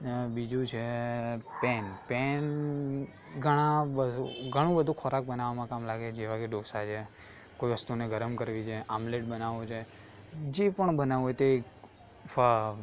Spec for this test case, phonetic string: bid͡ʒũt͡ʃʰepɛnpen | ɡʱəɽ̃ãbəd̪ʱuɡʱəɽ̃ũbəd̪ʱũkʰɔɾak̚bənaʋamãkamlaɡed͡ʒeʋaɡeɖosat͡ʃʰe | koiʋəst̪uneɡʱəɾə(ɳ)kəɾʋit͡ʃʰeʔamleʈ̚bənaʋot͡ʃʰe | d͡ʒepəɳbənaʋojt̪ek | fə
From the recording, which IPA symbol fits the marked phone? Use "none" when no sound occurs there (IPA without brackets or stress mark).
m